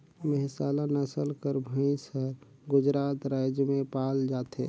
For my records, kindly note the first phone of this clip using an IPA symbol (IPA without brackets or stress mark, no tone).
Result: m